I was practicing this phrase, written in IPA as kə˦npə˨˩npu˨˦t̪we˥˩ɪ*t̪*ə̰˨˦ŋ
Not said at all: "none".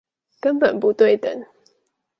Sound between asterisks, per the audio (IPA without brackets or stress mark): t̪